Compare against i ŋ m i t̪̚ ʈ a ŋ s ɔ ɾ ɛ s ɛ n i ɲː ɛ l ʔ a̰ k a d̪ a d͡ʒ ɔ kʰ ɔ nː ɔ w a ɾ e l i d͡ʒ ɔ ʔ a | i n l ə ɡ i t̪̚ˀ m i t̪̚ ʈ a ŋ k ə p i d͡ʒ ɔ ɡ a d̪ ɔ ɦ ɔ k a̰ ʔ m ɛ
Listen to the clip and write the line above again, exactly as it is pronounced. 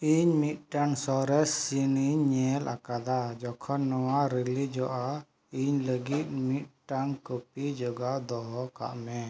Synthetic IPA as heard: i ɲ m i t̪̚ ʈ a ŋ s ɔ ɾ ɛ s i n i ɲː ɛ l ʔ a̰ k a d̪ a d͡ʒ ɔ kʰ ɔ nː ɔ w a ɾ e l i d͡ʒ ɔ ʔ a | i ɲ l ə ɡ i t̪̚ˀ m i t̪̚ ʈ a ŋ k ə p i d͡ʒ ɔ ɡ a d̪ ɔ ɦ ɔ k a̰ ʔ m ɛ

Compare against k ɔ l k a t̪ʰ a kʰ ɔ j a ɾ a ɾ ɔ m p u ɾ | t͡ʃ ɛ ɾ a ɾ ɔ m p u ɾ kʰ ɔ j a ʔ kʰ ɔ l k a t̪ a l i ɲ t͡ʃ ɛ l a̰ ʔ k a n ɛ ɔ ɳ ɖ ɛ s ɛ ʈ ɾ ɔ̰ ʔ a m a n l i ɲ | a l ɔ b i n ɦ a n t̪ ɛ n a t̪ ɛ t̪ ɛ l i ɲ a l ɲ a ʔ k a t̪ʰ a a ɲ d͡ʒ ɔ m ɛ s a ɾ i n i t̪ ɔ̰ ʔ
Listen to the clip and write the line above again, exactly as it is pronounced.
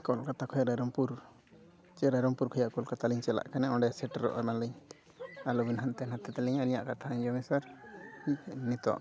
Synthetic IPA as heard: k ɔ l k a t̪ a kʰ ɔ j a ɾ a ɾ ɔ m p u ɾ | t͡ʃ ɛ ɾ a ɾ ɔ m p u ɾ kʰ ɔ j a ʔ k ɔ l k a t̪ a l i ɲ t͡ʃ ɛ l a̰ ʔ k a n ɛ ɔ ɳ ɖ ɛ s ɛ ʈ ɾ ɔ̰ ʔ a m a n l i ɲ | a l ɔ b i n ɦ a n t̪ ɛ n a t̪ ɛ t̪ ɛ l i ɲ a l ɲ a ʔ k a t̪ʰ a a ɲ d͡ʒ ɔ m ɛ s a ɾ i n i t̪ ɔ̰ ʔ

